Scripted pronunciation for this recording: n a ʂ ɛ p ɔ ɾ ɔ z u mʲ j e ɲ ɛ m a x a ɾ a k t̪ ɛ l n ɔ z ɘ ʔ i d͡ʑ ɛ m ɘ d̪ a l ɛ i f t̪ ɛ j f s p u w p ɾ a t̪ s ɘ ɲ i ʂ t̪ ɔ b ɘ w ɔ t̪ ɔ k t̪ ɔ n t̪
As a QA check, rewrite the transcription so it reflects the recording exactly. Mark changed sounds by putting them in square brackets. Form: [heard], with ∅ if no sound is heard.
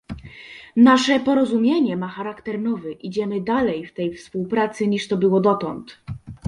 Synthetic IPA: n a ʂ ɛ p ɔ ɾ ɔ z u mʲ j e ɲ ɛ m a x a ɾ a k t̪ ɛ [ɾ] n ɔ [v] ɘ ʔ i d͡ʑ ɛ m ɘ d̪ a l ɛ [j] f t̪ ɛ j f s p u w p ɾ a t̪ s ɘ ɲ i ʂ t̪ ɔ b ɘ w ɔ [d̪] ɔ [∅] t̪ ɔ n t̪